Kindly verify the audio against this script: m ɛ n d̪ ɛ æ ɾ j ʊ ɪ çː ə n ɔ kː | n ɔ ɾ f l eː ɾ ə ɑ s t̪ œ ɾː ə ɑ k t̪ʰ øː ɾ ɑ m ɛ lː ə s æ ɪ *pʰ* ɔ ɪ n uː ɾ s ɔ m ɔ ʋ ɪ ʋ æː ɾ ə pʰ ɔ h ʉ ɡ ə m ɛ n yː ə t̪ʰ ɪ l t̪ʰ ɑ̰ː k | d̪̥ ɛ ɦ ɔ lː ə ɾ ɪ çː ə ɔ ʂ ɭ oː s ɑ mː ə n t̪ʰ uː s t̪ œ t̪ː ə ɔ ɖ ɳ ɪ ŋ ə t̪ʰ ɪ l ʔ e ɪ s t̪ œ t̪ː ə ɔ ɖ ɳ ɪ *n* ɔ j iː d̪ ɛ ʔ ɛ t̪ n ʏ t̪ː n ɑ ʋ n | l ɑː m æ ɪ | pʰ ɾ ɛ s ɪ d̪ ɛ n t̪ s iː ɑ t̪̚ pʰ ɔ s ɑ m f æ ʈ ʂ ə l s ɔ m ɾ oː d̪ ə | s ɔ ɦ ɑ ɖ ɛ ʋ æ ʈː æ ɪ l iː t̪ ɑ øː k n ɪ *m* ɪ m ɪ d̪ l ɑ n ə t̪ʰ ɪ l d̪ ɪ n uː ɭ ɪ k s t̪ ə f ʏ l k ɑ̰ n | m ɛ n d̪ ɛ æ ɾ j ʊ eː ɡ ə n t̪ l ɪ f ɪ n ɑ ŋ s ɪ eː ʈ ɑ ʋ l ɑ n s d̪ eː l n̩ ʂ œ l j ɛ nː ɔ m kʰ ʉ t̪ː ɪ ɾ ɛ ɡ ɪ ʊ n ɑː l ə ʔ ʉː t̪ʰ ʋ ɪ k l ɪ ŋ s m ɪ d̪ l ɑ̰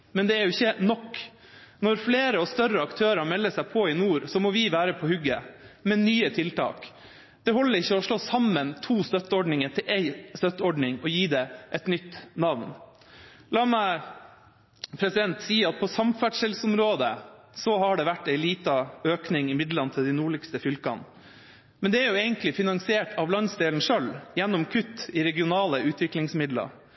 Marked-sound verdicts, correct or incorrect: correct, incorrect, incorrect

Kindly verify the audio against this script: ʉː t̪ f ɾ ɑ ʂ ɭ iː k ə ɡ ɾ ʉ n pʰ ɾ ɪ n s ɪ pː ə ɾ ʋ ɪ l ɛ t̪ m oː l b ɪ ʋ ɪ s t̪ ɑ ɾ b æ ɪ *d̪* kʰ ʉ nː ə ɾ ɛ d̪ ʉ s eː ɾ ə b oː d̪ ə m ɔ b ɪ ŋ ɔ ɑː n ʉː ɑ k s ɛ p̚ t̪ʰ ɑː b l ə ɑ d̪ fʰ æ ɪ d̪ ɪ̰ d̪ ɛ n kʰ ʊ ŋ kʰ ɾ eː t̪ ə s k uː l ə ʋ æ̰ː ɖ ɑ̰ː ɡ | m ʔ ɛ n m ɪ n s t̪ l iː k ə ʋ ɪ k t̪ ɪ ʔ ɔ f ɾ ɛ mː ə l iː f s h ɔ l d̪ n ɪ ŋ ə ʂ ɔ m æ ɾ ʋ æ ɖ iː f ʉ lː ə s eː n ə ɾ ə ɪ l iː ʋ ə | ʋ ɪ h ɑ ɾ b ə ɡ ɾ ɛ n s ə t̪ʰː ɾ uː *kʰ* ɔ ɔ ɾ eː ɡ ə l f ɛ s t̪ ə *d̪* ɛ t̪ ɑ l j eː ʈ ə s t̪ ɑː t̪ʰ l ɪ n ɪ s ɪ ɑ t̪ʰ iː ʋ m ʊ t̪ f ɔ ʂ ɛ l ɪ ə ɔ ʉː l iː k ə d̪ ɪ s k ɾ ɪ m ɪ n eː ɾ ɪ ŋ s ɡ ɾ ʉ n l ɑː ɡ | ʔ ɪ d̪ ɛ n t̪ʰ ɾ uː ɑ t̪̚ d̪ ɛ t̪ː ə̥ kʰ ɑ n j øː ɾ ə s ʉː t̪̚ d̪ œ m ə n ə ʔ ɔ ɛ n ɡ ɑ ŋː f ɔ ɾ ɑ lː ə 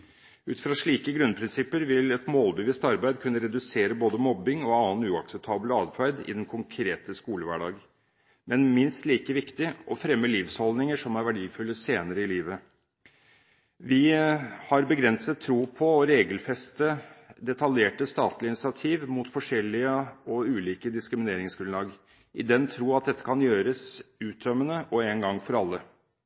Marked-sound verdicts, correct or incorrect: correct, incorrect, correct

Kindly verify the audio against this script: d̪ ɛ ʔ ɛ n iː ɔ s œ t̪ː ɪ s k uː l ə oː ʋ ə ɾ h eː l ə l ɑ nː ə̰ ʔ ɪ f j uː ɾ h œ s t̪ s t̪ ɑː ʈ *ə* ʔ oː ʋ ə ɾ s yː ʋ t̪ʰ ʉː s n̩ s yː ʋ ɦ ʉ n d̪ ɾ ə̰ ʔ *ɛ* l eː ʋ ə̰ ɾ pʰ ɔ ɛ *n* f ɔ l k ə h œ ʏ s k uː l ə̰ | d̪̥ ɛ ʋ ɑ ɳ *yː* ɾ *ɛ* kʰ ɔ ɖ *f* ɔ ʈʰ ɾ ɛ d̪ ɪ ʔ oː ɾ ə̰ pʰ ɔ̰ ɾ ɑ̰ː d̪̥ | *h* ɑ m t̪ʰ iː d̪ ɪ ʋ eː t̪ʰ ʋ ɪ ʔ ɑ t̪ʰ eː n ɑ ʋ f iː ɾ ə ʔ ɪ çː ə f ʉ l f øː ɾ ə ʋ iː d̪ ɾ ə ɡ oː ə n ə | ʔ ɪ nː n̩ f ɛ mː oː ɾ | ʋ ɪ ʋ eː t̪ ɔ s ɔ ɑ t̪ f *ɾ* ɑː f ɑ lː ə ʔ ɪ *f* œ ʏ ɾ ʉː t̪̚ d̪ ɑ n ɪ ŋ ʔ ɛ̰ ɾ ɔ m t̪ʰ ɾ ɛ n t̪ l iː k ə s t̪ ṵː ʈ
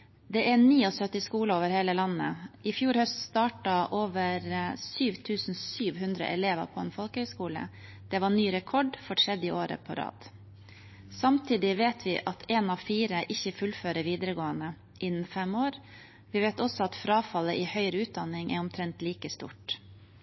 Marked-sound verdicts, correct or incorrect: incorrect, correct, correct, correct, correct, correct, incorrect, correct, incorrect

